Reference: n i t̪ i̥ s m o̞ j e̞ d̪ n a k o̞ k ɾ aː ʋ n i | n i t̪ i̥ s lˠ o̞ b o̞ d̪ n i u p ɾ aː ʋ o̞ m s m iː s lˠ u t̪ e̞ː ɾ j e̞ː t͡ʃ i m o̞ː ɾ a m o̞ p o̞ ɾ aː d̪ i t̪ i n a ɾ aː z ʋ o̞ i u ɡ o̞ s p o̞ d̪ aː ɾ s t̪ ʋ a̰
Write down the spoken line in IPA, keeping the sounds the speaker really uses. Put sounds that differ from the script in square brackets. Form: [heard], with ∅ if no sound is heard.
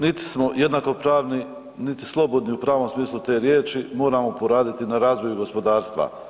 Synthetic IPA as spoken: n i t̪ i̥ s m o̞ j e̞ d̪ n a k o̞ [p] ɾ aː ʋ n i | n i t̪ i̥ s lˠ o̞ b o̞ d̪ n i u p ɾ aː ʋ o̞ m s m iː s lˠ u t̪ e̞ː ɾ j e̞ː t͡ʃ i m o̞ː ɾ a m o̞ p o̞ ɾ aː d̪ i t̪ i n a ɾ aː z ʋ o̞ [j] u ɡ o̞ s p o̞ d̪ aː ɾ s t̪ ʋ a̰